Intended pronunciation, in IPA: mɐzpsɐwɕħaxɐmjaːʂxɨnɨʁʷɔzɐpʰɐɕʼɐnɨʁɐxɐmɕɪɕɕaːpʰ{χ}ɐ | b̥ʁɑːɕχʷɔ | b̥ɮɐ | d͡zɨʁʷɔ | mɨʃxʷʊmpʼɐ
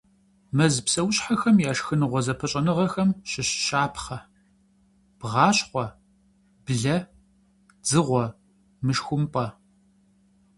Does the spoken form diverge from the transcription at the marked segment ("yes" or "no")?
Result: no